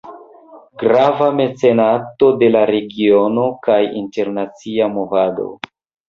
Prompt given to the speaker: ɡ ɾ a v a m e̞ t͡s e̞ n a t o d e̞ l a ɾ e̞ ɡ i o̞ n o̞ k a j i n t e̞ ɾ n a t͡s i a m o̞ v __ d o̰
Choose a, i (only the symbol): a